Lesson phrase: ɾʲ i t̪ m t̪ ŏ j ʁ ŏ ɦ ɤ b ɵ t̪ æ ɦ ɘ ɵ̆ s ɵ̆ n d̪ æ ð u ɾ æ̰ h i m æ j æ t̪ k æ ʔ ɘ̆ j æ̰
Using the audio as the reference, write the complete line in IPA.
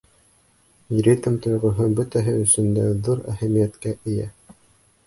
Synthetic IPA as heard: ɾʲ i t̪ m t̪ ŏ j ʁ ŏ ɦ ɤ b ɵ t̪ æ ɦ ɘ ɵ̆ s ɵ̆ n d̪ æ ð u ɾ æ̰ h æ m i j æ t̪ k æ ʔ ɘ̆ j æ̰